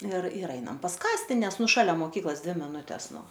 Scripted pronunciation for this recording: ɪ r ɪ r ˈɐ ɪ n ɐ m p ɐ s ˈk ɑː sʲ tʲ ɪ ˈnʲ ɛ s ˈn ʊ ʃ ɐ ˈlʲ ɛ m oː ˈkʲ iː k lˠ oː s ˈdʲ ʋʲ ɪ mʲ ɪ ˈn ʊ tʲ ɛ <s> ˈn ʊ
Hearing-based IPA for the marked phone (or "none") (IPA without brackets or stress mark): s